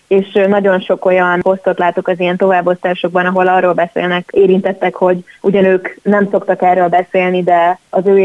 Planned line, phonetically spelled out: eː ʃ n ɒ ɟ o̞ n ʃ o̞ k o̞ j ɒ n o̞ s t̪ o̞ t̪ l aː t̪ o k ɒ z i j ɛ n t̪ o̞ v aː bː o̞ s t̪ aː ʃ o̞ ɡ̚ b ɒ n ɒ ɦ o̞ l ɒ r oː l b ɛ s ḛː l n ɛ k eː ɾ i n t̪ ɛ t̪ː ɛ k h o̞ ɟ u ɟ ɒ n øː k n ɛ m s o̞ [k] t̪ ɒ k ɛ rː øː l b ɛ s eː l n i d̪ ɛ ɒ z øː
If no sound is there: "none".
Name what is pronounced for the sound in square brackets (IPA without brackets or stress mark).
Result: k